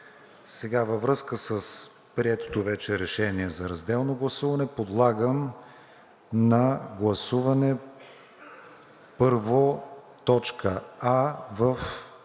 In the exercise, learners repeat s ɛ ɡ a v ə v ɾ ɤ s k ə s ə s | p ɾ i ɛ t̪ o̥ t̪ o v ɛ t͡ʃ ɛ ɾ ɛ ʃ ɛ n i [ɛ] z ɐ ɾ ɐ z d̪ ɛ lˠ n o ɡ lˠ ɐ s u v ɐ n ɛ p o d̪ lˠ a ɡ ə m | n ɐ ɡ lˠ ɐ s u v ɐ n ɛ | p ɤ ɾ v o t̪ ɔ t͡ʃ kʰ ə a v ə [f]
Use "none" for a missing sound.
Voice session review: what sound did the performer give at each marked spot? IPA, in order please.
ɛ, f

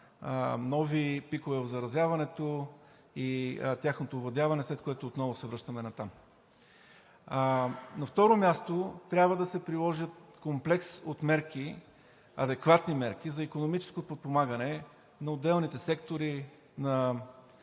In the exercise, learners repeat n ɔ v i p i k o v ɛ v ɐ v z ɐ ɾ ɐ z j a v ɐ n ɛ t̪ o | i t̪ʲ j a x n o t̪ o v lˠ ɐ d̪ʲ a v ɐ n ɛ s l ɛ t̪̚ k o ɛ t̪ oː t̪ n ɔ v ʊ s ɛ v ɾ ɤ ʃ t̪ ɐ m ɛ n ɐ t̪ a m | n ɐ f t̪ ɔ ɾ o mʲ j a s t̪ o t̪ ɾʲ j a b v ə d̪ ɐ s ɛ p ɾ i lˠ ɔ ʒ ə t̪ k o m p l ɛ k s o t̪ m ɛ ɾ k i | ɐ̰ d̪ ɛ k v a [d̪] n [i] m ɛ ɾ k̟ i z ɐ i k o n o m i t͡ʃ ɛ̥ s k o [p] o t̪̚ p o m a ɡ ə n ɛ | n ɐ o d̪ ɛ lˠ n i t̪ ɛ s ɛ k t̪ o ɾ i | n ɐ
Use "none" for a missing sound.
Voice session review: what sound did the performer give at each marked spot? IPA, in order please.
t̪, i, p

